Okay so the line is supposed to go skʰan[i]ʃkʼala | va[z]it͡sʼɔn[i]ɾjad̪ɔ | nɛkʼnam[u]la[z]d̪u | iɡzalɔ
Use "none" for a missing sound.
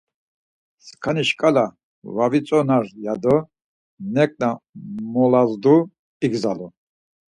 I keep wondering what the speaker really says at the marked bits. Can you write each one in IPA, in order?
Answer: i, v, a, ɔ, z

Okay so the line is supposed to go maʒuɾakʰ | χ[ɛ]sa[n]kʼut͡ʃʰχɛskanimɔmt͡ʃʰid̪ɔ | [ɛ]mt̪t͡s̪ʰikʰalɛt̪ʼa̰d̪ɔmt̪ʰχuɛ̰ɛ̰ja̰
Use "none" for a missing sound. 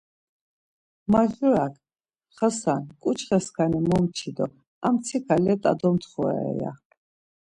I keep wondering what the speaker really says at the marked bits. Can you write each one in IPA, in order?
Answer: a, n, a

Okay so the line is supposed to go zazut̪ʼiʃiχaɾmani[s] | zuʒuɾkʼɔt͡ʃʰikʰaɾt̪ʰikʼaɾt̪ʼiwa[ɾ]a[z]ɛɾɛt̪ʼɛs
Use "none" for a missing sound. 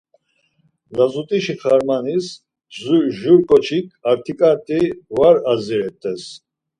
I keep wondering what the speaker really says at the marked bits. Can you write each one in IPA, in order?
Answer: s, ɾ, z

